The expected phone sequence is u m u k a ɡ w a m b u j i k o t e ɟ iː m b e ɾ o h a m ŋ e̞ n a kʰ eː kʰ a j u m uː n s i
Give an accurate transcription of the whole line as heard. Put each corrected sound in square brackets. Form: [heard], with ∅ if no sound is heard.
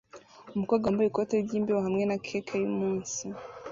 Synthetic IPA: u m u k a ɡ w a m b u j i k o t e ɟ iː m b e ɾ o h a m ŋ e̞ n a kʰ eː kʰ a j u m uː n s i